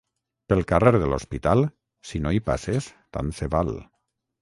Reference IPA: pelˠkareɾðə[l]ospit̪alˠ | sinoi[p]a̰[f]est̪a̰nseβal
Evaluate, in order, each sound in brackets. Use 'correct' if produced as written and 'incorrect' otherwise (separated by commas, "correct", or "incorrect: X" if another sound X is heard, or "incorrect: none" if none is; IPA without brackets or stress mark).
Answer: correct, correct, incorrect: s